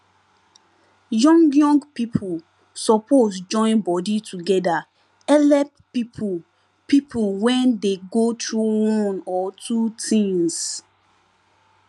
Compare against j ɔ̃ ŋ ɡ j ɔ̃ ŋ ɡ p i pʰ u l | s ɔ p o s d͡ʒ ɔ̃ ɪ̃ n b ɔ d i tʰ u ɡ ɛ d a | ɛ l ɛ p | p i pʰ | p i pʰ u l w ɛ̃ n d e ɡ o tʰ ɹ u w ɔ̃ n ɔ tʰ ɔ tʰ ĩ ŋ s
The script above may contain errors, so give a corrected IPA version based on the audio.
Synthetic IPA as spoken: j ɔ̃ ŋ ɡ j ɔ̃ ŋ ɡ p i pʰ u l | s ɔ p o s d͡ʒ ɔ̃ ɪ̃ n b ɔ d i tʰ u ɡ ɛ d a | ɛ l ɛ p | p i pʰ | p i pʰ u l w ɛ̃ n d e ɡ o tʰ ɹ u w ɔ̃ n ɔ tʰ u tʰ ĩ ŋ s